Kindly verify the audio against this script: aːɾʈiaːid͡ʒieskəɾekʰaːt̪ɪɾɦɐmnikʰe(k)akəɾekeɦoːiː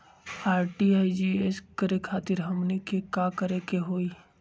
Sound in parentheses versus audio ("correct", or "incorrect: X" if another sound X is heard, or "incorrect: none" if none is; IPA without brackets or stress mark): correct